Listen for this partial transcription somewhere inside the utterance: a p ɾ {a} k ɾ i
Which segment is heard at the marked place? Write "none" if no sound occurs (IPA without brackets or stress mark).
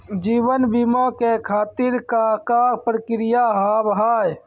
ə